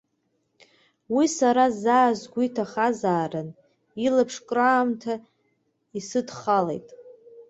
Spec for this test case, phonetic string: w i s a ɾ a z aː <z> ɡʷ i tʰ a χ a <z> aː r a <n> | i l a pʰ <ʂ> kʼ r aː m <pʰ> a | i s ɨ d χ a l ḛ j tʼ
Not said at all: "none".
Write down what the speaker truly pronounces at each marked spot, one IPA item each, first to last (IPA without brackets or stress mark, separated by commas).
z, z, n, ʂ, tʰ